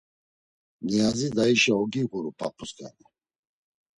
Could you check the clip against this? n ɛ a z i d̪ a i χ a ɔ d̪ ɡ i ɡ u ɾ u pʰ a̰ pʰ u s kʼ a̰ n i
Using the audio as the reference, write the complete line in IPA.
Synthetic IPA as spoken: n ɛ a z i d̪ a i ʃ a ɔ ɡ i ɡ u ɾ u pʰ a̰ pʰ u s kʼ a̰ n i